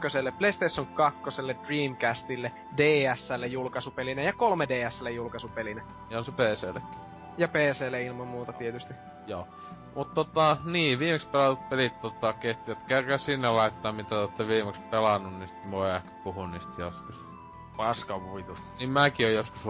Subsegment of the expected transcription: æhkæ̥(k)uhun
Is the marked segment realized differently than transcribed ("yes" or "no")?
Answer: yes